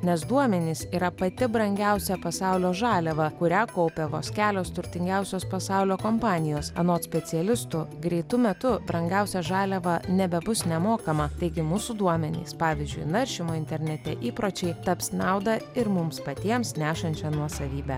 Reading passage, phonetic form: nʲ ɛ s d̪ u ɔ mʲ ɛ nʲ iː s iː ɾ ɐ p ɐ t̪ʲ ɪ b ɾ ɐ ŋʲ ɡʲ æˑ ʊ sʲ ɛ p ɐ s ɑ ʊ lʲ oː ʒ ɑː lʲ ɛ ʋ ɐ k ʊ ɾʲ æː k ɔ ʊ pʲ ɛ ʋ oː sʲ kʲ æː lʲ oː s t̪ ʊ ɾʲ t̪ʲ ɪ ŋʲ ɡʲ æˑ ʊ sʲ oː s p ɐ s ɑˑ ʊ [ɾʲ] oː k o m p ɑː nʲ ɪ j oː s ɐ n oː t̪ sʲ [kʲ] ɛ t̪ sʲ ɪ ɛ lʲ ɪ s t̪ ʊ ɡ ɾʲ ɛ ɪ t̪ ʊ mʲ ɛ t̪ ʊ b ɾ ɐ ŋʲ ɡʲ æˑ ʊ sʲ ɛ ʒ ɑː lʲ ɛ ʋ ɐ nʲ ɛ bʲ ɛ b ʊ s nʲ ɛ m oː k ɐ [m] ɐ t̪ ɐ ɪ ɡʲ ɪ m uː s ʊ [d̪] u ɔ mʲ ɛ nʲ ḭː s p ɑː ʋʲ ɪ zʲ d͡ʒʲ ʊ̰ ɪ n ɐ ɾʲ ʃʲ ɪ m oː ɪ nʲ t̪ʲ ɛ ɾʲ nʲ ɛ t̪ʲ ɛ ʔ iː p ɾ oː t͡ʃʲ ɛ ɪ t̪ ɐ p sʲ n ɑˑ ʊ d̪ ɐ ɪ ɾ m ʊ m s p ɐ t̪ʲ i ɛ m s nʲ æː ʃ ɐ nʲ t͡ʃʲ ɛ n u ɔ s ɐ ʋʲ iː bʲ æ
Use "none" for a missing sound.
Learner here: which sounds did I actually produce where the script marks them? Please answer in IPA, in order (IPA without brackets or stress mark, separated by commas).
lʲ, pʲ, m, d̪